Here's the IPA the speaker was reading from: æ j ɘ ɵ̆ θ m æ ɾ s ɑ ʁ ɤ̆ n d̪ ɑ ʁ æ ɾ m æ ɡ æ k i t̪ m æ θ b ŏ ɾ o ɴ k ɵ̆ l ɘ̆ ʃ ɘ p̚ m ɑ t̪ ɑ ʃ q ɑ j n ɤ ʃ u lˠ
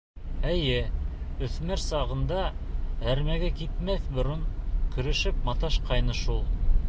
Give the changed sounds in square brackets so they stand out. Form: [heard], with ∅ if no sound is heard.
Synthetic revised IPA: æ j ɘ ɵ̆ θ m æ ɾ s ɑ ʁ ɤ̆ n d̪ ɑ [∅] æ ɾ m æ ɡ æ k i t̪ m æ θ b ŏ ɾ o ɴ k ɵ̆ [ɾ] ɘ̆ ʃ ɘ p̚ m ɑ t̪ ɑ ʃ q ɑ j n ɤ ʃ u lˠ